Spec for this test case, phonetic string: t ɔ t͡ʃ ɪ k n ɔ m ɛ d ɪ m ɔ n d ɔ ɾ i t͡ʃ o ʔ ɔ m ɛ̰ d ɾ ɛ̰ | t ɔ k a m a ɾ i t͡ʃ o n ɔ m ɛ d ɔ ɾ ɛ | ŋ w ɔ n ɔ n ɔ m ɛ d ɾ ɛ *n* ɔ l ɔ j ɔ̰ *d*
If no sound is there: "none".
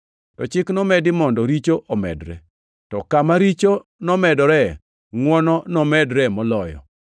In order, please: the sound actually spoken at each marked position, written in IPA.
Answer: m, none

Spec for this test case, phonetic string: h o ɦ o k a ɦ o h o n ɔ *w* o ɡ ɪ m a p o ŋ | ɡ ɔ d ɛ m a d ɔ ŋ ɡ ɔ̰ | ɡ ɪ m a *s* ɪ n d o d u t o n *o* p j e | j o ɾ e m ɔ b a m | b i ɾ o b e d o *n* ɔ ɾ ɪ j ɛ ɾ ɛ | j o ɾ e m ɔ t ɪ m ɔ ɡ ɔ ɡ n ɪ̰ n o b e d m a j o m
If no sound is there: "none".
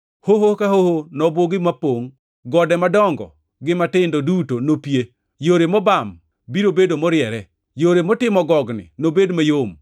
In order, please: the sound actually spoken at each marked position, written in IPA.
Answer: b, t, o, m

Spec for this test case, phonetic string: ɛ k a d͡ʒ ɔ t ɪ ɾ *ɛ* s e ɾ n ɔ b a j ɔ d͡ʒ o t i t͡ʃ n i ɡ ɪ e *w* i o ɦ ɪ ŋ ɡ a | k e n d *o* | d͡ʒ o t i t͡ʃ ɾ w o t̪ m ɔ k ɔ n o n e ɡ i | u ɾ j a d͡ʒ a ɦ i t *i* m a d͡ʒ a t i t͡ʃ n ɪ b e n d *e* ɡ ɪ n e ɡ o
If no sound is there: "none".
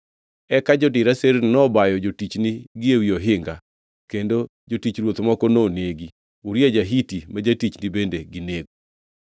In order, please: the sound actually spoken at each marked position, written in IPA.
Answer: a, w, o, i, e

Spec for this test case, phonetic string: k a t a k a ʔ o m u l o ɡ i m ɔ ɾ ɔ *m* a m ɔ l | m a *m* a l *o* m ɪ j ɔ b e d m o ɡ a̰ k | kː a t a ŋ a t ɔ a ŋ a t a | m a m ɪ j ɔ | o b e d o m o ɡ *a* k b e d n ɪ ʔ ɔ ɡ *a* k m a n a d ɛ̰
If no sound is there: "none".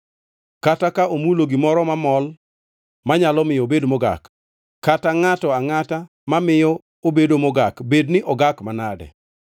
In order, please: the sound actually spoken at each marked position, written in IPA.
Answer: m, ɲ, ɔ, a, a

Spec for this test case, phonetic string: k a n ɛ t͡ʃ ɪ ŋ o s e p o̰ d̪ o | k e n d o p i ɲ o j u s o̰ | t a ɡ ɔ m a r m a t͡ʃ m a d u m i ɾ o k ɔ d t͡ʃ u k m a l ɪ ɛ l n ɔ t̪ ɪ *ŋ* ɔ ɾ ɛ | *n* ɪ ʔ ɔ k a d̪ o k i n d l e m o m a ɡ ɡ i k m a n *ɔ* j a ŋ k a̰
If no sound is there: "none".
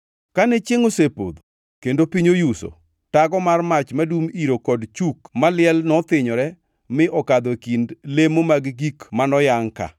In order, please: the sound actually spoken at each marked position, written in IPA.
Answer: ɲ, m, ɔ

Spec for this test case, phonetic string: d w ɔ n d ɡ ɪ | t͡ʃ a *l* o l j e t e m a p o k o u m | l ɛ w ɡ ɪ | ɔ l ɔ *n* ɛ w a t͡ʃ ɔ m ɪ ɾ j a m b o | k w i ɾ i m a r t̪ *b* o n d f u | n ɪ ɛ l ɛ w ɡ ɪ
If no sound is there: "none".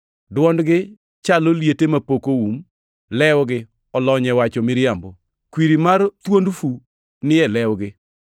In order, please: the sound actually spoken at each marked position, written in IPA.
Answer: l, ɲ, w

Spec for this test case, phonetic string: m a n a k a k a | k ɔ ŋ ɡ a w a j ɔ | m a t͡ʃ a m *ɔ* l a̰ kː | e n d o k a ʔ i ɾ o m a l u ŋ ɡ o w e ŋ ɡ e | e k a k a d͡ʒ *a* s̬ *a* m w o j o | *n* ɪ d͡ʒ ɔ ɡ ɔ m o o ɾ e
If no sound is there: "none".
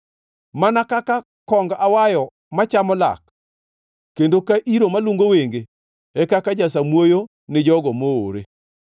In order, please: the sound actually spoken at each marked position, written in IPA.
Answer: ɔ, a, a, n

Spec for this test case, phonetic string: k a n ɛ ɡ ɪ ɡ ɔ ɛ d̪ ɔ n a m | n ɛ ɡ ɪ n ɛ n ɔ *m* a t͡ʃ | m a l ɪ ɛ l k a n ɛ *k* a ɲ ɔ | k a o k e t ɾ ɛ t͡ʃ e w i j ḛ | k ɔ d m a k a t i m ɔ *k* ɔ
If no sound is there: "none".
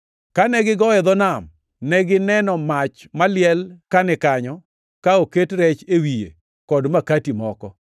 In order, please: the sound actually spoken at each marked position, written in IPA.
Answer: m, k, k

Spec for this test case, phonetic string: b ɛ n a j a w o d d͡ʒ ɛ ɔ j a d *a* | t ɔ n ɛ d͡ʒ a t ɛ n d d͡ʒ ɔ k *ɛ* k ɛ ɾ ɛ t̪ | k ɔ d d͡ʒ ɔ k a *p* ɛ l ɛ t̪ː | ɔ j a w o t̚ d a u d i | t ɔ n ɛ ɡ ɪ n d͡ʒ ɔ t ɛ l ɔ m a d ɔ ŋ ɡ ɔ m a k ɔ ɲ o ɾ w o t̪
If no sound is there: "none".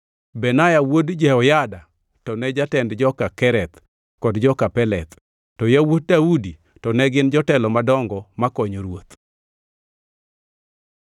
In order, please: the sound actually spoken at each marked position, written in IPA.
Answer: a, a, p

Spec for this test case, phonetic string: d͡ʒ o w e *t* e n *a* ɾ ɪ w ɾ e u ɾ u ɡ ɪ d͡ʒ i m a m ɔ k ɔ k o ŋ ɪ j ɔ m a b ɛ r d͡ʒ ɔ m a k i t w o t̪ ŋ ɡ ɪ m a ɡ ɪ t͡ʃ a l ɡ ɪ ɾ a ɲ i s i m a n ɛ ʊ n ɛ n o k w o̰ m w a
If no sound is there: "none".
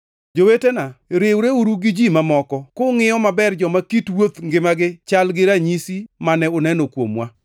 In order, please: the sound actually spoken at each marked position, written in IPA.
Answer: t, a

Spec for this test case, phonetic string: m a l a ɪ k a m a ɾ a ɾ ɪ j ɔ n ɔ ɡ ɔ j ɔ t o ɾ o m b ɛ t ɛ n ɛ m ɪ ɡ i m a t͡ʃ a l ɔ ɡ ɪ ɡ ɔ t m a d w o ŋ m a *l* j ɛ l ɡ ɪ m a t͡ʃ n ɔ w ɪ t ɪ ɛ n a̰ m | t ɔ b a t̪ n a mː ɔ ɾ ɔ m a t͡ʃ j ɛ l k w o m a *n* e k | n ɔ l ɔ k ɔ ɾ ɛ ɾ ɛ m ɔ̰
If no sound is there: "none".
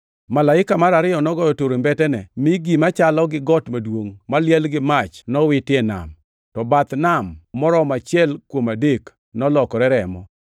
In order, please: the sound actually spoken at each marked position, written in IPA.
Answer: l, d

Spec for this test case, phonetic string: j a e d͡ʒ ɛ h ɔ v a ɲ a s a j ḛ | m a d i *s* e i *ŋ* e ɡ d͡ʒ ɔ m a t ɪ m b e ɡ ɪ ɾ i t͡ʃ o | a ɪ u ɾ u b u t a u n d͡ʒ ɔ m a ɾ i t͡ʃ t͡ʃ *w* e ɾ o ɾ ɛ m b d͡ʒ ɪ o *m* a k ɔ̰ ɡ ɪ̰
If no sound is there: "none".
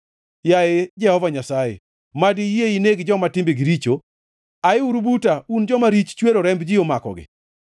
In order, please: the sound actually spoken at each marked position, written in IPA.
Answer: none, n, w, m

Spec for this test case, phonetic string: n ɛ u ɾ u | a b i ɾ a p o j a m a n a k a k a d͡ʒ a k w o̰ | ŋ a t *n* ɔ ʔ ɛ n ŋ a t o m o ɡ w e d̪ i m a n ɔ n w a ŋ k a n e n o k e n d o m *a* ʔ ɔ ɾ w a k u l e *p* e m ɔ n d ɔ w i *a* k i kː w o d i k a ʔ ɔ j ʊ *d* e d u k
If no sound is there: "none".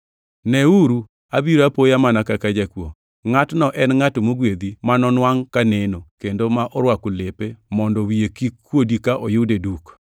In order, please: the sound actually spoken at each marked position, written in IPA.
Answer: n, a, p, e, d

